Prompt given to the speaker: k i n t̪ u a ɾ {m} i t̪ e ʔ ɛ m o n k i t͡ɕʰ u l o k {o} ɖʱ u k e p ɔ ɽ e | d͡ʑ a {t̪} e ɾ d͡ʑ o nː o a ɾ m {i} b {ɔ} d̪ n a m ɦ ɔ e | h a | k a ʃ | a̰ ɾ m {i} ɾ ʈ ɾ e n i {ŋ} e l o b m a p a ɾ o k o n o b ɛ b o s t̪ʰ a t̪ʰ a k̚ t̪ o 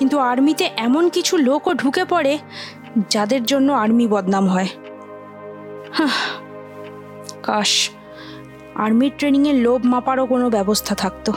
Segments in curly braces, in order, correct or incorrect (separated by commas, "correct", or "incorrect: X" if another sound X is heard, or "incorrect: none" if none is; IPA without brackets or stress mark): correct, correct, incorrect: d̪, correct, correct, correct, correct